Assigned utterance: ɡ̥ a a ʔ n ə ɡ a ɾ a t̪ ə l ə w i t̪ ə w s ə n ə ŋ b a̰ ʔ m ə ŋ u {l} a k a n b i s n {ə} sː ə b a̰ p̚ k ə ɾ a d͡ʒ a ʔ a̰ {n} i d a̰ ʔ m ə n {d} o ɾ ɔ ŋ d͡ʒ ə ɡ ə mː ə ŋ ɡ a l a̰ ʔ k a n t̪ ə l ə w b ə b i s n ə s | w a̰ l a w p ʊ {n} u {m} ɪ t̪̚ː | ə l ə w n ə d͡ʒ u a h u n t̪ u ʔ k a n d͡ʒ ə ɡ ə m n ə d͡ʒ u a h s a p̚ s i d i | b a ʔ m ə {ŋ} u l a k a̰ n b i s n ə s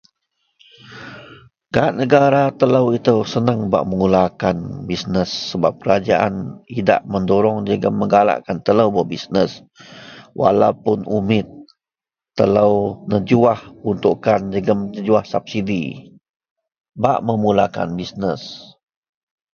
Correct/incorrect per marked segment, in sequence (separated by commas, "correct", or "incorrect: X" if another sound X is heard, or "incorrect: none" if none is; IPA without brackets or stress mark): correct, correct, correct, correct, correct, correct, incorrect: m